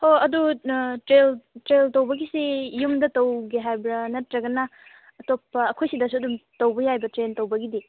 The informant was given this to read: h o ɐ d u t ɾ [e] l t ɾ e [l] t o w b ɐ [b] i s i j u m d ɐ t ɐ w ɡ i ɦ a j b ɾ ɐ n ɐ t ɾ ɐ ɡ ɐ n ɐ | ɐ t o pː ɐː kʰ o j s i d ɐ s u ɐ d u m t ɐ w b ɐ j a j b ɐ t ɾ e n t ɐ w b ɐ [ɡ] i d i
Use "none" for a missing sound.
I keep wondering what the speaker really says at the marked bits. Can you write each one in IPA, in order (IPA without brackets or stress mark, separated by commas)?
e, l, ɡ, ɡ